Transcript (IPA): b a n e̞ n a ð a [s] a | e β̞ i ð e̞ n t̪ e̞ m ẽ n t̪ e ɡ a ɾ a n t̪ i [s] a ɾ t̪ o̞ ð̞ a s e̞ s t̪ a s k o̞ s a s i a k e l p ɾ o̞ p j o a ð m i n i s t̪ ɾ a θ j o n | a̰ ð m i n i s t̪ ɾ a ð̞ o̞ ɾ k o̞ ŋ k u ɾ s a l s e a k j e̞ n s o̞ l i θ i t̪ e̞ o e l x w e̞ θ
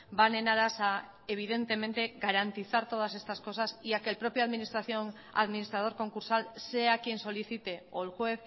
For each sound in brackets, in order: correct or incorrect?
correct, incorrect

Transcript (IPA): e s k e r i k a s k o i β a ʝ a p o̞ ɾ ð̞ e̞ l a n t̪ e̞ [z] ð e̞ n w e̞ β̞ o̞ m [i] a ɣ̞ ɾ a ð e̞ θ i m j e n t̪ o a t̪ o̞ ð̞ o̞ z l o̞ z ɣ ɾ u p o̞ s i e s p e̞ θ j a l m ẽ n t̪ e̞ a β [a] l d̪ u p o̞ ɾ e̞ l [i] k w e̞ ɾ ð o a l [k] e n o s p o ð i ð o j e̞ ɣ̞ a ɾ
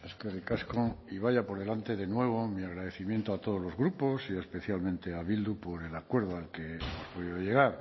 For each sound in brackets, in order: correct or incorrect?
incorrect, correct, incorrect, incorrect, correct

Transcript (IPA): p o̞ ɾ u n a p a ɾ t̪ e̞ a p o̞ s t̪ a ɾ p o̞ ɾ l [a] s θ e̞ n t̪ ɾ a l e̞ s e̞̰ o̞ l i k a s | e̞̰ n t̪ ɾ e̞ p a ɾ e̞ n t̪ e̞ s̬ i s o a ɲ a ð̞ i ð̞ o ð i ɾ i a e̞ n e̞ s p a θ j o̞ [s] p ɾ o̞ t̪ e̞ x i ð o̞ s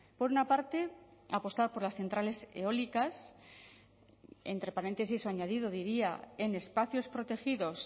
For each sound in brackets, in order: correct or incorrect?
correct, correct

